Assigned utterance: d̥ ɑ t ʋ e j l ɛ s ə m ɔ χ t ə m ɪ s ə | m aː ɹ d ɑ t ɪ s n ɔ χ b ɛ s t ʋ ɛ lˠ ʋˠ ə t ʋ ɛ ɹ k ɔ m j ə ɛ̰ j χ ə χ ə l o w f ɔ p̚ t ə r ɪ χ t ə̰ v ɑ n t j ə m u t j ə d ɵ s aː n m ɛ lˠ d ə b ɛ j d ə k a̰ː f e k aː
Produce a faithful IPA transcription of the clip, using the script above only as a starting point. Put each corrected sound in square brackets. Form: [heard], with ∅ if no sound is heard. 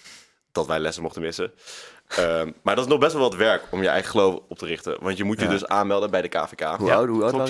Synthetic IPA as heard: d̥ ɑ t ʋ [ɛ] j l ɛ s ə m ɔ χ t ə m ɪ s ə | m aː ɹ d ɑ t ɪ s n ɔ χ b ɛ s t ʋ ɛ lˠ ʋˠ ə t ʋ ɛ ɹ k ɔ m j ə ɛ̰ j χ ə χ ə l o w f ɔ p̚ t ə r ɪ χ t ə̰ [ʋ] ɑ n t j ə m u t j ə d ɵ s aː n m ɛ lˠ d ə b ɛ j d ə k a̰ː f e k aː